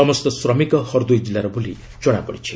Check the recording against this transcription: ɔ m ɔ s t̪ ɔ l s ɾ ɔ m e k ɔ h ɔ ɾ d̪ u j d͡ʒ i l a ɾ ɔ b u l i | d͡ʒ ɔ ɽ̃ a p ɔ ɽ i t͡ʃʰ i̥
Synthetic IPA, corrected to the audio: ɔ m ɔ s t̪ ɔ s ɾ ɔ m i k ɔ h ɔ ɾ d̪ u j d͡ʒ i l a ɾ ɔ b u l i | d͡ʒ ɔ ɽ̃ a p ɔ ɽ i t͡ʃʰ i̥